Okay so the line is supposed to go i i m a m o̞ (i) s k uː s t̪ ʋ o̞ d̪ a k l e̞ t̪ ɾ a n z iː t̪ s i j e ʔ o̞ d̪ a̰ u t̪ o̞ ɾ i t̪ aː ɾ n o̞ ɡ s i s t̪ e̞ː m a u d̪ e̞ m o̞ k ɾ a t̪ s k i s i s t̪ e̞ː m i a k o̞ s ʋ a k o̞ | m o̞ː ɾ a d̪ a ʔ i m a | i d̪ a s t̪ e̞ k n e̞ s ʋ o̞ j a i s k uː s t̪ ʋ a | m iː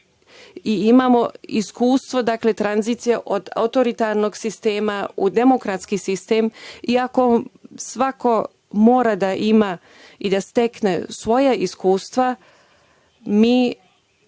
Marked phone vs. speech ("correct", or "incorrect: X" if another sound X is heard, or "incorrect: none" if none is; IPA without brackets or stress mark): correct